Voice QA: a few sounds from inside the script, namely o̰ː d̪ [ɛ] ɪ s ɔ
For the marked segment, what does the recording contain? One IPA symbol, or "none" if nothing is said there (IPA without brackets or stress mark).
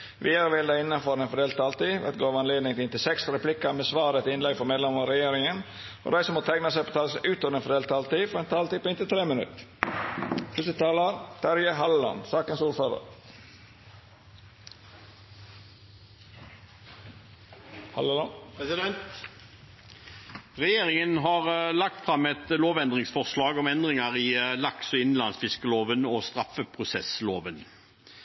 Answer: æ